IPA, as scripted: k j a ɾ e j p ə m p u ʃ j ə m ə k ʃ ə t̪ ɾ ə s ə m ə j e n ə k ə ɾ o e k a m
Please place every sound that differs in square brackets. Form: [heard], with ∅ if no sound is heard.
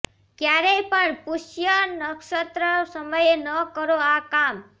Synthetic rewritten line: k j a ɾ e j p ə [ɳ] p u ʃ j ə [n] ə k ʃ ə t̪ ɾ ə s ə m ə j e n ə k ə ɾ o [a] k a m